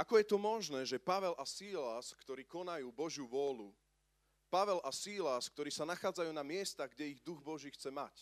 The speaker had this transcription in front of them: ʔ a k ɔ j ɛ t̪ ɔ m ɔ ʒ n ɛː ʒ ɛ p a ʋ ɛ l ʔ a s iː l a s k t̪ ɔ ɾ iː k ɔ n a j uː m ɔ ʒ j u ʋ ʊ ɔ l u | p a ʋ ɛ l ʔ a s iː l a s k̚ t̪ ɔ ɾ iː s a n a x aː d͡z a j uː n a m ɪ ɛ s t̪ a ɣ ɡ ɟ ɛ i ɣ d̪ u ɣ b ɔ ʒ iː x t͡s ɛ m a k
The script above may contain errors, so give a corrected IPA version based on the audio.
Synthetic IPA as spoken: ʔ a k ɔ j ɛ t̪ ɔ m ɔ ʒ n ɛː ʒ ɛ p a ʋ ɛ l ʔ a s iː l a s k t̪ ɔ ɾ iː k ɔ n a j uː b ɔ ʒ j u ʋ ʊ ɔ l u | p a ʋ ɛ l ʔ a s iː l a s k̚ t̪ ɔ ɾ iː s a n a x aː d͡z a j uː n a m ɪ ɛ s t̪ a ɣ ɡ ɟ ɛ i ɣ d̪ u ɣ b ɔ ʒ iː x t͡s ɛ m a c